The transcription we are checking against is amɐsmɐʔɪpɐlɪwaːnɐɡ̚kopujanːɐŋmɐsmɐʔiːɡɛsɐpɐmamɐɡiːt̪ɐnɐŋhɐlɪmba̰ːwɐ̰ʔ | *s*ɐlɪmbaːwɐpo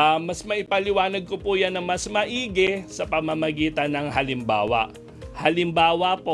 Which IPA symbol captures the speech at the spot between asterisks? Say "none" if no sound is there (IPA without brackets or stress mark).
h